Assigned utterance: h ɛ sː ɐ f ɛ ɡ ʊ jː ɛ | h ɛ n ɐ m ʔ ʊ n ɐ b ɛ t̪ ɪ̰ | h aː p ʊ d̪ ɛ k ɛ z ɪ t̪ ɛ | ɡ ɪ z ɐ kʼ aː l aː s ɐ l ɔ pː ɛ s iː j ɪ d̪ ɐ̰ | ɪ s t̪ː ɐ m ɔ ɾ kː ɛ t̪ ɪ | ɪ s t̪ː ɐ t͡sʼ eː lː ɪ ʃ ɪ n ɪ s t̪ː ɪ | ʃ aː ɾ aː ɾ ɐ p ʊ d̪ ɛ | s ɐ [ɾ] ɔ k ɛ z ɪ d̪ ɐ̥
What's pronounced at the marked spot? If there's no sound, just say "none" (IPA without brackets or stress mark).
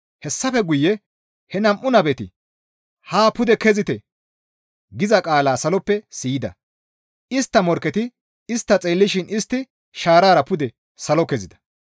l